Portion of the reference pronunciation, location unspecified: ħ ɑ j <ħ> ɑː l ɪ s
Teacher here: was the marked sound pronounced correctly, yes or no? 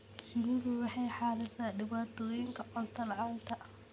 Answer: yes